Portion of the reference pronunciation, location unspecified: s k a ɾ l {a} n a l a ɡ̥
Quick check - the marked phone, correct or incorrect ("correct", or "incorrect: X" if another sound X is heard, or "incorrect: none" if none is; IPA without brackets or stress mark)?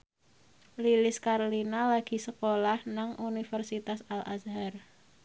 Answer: incorrect: i